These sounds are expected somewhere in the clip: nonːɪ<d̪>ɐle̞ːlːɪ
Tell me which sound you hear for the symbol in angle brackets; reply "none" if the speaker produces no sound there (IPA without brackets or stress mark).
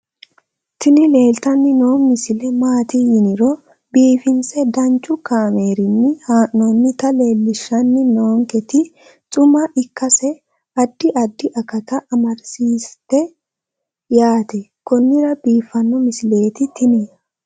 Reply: t̪